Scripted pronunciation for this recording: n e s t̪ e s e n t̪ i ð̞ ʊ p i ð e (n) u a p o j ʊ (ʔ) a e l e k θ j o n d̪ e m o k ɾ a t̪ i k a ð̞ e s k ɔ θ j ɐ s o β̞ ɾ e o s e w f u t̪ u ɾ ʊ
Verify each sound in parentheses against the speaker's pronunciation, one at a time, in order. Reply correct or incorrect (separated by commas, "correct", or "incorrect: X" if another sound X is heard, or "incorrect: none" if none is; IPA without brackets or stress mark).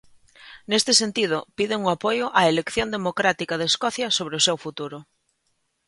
incorrect: ŋ, correct